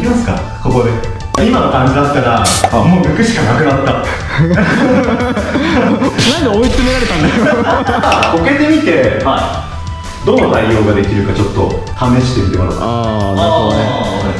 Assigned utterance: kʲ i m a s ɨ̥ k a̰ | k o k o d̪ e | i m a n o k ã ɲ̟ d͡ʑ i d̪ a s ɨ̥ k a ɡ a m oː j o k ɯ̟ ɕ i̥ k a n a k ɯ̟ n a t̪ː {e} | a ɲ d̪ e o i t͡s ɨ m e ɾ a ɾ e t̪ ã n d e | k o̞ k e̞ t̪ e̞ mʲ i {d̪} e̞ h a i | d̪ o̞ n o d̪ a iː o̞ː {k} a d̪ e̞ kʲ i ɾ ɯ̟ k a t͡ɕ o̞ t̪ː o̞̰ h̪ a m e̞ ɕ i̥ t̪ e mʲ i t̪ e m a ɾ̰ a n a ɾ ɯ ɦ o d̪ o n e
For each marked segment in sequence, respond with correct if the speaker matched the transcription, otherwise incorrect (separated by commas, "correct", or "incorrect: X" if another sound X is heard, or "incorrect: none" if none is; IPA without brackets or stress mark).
incorrect: a, incorrect: t̪, incorrect: ɡ